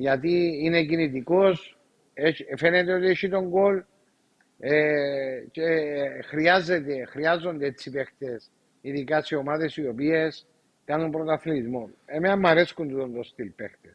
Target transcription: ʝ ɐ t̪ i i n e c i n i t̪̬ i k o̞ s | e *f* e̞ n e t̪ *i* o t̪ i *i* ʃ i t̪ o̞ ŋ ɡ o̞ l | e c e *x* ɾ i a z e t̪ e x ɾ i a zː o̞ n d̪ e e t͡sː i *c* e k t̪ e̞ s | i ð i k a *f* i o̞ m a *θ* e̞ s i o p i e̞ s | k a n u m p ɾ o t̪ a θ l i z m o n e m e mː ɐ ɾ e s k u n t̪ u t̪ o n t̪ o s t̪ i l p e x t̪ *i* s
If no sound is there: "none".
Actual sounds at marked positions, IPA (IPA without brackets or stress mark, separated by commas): f, e, e, x, p, s, ð, e